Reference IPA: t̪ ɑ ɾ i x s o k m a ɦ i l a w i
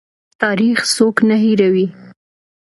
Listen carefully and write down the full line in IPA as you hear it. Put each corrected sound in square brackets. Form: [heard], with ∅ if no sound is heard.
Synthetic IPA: t̪ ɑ ɾ i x s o k [n] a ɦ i [ɾ] a w i